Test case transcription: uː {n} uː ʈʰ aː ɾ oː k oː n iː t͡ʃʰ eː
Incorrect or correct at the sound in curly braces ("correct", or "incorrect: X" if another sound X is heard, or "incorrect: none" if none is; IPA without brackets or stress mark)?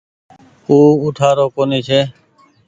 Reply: incorrect: none